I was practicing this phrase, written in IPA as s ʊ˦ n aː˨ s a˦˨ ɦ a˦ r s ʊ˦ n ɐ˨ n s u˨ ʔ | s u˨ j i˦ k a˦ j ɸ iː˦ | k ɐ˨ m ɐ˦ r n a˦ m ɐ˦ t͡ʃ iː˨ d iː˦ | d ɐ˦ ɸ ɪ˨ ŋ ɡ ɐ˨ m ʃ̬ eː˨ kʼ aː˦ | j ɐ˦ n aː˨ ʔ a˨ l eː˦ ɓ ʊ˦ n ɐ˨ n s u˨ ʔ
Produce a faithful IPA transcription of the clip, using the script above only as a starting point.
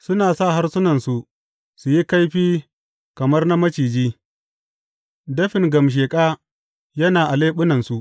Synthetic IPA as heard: s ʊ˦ n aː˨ s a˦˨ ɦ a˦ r s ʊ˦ n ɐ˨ n s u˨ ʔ | s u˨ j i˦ k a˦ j ɸ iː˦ | k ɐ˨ m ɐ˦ r n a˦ m ɐ˦ t͡ʃ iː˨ d͡ʒ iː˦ | d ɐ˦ ɸ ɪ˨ ŋ ɡ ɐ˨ m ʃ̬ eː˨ kʼ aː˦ | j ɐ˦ n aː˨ ʔ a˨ l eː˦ ɓ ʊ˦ n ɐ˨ n s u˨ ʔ